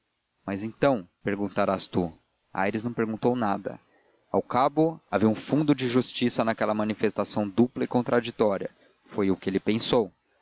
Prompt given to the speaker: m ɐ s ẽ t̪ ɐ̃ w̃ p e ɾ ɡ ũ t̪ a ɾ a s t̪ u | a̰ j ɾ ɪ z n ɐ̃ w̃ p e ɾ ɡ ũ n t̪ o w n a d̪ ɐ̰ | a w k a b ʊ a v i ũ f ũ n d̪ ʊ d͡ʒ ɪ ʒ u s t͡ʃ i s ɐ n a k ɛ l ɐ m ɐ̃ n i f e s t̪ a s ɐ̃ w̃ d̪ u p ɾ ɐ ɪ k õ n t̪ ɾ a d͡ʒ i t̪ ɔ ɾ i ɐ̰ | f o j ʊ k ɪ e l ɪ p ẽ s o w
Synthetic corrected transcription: m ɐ z ẽ t̪ ɐ̃ w̃ p e ɾ ɡ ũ t̪ a ɾ a s t̪ u | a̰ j ɾ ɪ z n ɐ̃ w̃ p e ɾ ɡ ũ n t̪ o w n a d̪ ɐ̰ | a w k a b ʊ a v i ũ f ũ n d̪ ʊ d͡ʒ ɪ ʒ u s t͡ʃ i s ɐ n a k ɛ l ɐ m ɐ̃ n i f e s t̪ a s ɐ̃ w̃ d̪ u p l ɐ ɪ k õ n t̪ ɾ a d͡ʒ i t̪ ɔ ɾ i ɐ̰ | f o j ʊ k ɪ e l ɪ p ẽ s o w

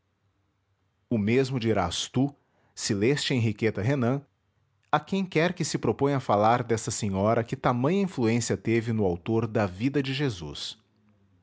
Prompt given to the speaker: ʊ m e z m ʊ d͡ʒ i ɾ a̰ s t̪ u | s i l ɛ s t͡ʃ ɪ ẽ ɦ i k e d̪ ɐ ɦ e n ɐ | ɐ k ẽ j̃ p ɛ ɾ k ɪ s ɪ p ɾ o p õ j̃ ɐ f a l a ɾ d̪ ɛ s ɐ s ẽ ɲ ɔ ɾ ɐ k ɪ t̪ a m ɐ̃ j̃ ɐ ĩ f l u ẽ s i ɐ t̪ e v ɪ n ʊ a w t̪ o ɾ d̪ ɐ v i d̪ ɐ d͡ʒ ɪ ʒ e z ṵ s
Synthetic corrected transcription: ʊ m e z m ʊ d͡ʒ i ɾ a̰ s t̪ u | s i l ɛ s t͡ʃ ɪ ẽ ɦ i k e t̪ ɐ ɦ e n ɐ̃ | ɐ k ẽ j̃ k ɛ ɾ k ɪ s ɪ p ɾ o p õ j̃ ɐ f a l a ɾ d̪ ɛ s ɐ s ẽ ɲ ɔ ɾ ɐ k ɪ t̪ a m ɐ̃ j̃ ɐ ĩ f l u ẽ s i ɐ t̪ e v ɪ n ʊ a w t̪ o ɾ d̪ ɐ v i d̪ ɐ d͡ʒ ɪ ʒ e z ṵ s

